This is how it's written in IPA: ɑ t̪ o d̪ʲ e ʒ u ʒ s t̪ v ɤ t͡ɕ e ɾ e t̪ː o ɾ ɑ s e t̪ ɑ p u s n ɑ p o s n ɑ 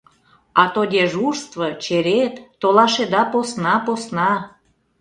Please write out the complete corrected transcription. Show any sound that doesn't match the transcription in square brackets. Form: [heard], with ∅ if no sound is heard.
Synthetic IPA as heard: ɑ t̪ o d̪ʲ e ʒ u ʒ s t̪ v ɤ t͡ɕ e ɾ e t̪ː o [l] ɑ [ʃ] e [d̪] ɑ p [o] s n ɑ p o s n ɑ